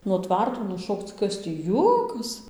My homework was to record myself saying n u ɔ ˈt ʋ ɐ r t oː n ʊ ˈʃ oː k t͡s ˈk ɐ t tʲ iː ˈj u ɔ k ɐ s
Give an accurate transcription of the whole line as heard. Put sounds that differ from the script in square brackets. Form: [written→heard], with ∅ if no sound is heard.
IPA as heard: n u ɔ ˈt ʋ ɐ r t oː n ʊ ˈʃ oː k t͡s ˈk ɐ [t→s] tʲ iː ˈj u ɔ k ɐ s